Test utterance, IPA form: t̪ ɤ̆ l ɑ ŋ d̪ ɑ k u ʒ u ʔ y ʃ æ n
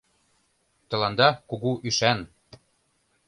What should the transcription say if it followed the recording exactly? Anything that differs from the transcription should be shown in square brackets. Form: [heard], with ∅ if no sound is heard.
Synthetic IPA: t̪ ɤ̆ l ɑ [n] d̪ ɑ k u [ɣ] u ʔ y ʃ æ n